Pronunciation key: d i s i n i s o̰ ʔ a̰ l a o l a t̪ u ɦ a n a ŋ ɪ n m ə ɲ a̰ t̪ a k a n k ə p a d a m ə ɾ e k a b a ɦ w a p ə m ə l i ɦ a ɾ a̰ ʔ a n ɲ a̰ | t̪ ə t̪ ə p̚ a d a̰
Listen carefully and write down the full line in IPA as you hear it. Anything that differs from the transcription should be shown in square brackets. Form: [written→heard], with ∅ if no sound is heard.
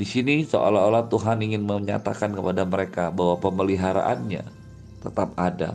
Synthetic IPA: d i s i n i s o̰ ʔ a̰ l a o l a t̪ u ɦ a n [a→i] ŋ ɪ n m ə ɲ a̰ t̪ a k a n k ə p a d a m ə ɾ e k a b a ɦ w a p ə m ə l i ɦ a ɾ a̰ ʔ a n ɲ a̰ | t̪ ə t̪ [ə→a] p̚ a d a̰